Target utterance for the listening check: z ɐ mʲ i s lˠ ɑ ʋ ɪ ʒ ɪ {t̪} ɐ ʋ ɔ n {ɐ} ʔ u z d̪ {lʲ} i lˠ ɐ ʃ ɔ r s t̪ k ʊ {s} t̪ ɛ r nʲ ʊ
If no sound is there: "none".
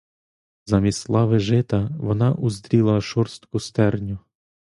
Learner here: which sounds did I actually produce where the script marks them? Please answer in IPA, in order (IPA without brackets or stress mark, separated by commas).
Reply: t̪, ɑ, ɾʲ, s